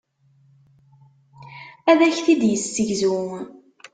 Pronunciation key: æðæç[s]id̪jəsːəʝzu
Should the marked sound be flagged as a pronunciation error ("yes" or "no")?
yes